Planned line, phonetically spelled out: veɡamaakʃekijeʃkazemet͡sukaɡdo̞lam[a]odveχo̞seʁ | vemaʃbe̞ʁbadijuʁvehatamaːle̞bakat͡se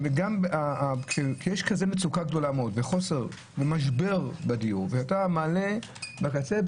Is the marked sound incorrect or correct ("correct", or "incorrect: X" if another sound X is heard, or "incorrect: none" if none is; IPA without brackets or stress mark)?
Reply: incorrect: e